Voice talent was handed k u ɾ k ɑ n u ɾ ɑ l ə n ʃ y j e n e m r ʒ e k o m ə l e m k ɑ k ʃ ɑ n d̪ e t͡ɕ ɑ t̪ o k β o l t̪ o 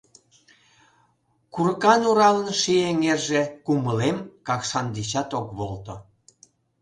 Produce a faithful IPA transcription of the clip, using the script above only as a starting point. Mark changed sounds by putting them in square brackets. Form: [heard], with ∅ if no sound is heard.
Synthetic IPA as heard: k u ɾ k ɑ n u ɾ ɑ l ə n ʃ [i] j e [ŋ] e [∅] r ʒ e k [u] m ə l e m k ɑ k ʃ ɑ n d̪ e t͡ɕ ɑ t̪ o k β o l t̪ o